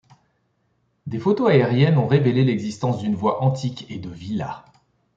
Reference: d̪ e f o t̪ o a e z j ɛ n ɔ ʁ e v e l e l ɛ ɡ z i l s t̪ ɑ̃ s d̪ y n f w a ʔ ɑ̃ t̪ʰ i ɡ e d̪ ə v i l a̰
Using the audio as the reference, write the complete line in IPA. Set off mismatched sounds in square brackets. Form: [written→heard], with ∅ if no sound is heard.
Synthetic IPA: d̪ e f o t̪ o a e [z→ʁ] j ɛ n [ɔ→ɔ̃] ʁ e v e l e l ɛ ɡ z i [l→∅] s t̪ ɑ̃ s d̪ y n [f→v] w a ʔ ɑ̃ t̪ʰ i [ɡ→k] e d̪ ə v i l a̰